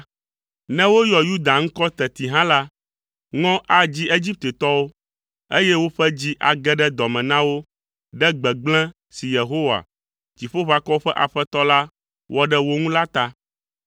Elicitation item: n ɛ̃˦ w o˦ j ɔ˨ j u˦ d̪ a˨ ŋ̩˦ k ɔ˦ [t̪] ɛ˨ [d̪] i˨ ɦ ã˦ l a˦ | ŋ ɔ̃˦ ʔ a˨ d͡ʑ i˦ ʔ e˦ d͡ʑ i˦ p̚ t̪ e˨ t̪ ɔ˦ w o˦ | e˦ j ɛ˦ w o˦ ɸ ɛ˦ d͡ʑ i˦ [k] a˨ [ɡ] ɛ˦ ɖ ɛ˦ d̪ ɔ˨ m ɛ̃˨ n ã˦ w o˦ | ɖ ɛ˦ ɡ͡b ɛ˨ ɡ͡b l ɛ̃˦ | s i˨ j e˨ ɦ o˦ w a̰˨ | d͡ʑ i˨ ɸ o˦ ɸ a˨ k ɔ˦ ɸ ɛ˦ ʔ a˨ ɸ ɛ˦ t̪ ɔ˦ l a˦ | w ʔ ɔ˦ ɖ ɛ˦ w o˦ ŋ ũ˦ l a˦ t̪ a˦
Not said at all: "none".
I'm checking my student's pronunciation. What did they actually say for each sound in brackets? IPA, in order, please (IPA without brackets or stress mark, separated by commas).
t̪, t̪, ʔ, ɡ